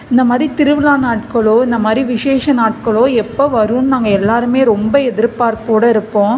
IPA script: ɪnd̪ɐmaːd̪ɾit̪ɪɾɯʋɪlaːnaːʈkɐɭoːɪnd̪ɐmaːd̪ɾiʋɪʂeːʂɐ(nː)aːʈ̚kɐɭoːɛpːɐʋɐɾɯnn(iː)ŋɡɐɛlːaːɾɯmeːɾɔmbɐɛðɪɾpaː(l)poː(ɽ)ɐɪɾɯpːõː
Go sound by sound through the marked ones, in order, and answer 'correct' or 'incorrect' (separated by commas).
incorrect, incorrect, incorrect, correct